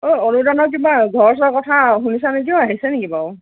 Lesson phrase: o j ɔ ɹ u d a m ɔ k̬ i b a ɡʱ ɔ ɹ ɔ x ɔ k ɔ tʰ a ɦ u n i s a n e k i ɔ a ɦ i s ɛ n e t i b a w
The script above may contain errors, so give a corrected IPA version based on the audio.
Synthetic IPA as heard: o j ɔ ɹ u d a n ɔ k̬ i b a ɡʱ ɔ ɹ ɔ s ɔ k ɔ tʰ a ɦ u n i s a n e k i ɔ a ɦ i s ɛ n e k i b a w